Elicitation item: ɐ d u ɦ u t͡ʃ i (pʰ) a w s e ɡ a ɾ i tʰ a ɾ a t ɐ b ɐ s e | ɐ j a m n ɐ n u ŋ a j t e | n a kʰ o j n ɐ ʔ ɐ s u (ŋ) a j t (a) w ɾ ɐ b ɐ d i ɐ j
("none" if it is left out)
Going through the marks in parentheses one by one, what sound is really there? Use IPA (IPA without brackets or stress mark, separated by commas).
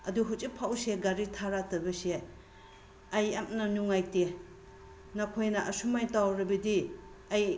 pʰ, m, a